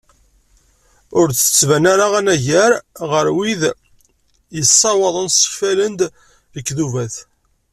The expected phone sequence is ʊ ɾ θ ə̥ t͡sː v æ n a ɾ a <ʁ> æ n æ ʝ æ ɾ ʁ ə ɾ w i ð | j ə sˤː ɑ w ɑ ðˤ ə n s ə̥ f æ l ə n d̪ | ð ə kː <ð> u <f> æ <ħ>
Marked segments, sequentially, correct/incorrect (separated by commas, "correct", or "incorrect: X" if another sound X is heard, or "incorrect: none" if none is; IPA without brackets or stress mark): correct, correct, incorrect: v, incorrect: θ